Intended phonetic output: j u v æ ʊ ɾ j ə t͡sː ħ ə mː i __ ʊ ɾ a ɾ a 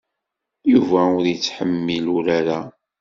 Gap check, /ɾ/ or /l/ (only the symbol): l